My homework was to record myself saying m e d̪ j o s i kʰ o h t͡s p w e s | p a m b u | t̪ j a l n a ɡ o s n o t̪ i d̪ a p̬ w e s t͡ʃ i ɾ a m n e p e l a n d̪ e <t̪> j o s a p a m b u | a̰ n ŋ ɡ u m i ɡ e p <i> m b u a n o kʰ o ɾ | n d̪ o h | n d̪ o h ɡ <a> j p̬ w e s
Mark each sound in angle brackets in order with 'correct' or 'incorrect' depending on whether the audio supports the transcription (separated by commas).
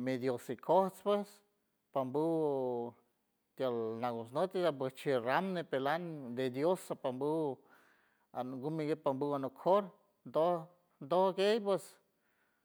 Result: incorrect, incorrect, incorrect